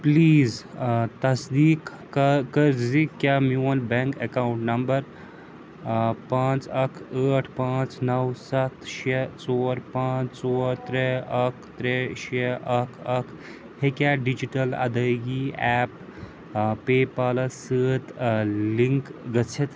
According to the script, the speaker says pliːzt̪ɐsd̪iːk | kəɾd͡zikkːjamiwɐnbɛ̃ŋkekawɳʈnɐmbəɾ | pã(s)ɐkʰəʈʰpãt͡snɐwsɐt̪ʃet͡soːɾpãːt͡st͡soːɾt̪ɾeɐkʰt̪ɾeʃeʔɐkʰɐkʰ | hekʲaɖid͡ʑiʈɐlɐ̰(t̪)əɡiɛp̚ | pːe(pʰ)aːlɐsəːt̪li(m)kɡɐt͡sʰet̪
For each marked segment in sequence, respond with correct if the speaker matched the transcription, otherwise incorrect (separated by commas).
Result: incorrect, incorrect, incorrect, incorrect